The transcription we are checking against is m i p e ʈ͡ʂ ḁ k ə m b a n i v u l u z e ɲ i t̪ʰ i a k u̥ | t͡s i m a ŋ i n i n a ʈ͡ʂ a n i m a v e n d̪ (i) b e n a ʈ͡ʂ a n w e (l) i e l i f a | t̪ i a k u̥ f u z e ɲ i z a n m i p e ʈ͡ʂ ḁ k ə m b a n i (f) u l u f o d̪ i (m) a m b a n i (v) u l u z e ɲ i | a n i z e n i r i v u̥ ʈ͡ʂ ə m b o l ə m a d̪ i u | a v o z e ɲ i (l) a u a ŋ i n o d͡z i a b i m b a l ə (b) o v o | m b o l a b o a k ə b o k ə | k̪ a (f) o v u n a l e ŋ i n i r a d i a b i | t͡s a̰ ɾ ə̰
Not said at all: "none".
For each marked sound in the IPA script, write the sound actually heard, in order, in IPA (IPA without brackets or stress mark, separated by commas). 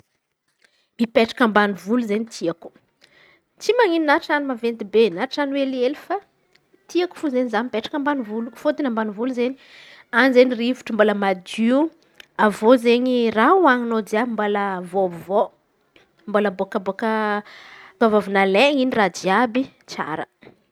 i, l, v, n, v, r, v, v